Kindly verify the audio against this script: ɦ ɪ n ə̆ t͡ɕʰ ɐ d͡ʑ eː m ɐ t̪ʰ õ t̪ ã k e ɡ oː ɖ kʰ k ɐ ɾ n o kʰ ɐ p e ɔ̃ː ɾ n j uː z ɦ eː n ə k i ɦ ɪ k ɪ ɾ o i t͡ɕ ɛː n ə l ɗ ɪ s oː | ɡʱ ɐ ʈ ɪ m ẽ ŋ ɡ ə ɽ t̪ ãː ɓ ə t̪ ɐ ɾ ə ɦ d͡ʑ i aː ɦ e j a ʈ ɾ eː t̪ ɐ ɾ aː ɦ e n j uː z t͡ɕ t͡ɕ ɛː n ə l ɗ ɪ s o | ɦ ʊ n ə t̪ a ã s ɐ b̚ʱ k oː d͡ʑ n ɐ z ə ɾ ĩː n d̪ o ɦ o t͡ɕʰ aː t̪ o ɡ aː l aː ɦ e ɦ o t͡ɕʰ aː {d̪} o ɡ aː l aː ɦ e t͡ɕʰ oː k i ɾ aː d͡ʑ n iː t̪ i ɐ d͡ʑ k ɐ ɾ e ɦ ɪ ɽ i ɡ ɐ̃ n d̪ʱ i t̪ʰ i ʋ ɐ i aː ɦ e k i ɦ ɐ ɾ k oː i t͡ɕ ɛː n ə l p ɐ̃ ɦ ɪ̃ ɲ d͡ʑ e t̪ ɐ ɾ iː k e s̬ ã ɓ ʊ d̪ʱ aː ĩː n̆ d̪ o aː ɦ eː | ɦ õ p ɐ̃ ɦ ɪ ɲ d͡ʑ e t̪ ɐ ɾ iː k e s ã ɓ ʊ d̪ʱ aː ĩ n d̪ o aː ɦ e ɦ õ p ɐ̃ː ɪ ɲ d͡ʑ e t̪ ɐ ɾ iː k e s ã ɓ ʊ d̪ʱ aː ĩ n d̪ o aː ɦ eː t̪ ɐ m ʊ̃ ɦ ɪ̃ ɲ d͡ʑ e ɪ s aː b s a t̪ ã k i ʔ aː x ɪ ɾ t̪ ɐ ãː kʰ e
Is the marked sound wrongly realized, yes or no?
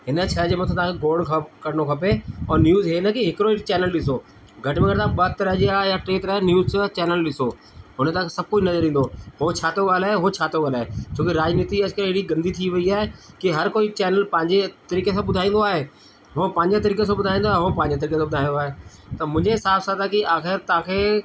yes